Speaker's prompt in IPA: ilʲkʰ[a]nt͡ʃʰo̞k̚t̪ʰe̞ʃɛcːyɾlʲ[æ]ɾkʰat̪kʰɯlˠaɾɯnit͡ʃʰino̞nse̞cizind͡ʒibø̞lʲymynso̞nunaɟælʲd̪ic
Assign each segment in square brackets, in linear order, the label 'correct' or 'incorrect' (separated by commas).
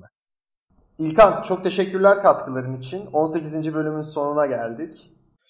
correct, correct